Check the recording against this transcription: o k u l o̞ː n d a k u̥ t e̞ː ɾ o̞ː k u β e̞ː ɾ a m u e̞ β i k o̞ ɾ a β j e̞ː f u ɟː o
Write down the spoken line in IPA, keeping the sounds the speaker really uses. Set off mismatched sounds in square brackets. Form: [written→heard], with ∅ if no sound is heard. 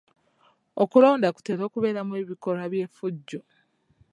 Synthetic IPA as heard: o k u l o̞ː n d a k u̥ t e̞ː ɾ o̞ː k u β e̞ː ɾ a m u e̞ β i k o̞ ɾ a β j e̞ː f u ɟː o